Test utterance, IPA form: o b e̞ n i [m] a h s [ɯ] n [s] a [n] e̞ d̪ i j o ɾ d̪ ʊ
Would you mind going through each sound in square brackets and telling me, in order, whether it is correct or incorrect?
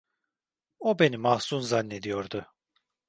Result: correct, incorrect: u, incorrect: z, incorrect: nː

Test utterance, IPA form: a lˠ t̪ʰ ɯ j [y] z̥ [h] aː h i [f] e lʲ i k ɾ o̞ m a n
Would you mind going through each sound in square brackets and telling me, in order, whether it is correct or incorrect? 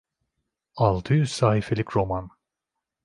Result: correct, incorrect: s, correct

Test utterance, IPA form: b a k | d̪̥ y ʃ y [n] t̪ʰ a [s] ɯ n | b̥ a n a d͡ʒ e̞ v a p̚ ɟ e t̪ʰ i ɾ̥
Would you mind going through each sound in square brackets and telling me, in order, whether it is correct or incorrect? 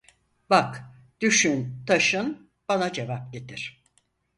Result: correct, incorrect: ʃ

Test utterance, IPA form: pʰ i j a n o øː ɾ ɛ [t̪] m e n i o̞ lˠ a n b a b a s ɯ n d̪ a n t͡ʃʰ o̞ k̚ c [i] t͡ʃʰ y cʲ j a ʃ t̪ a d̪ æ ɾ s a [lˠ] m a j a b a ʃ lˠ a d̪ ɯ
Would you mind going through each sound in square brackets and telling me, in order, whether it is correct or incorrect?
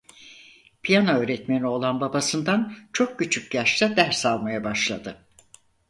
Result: correct, incorrect: y, correct

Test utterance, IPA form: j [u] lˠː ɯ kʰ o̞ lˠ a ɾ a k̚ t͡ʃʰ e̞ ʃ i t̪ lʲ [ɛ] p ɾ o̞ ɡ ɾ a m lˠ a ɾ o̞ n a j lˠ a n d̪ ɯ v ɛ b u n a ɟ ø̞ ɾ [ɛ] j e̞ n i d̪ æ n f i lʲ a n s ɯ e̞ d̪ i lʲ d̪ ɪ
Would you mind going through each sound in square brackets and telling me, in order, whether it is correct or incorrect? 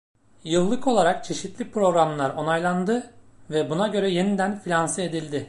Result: incorrect: ɯ, incorrect: i, correct

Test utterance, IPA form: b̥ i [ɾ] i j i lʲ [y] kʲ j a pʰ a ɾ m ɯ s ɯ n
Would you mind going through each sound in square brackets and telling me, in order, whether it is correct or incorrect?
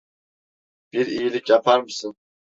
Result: correct, incorrect: i

